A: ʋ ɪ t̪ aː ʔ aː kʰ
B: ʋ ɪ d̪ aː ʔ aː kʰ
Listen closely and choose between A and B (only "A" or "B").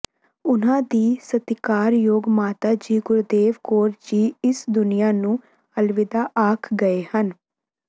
B